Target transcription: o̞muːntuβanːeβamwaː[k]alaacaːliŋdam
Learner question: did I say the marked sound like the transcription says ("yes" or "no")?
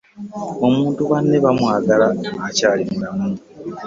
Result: no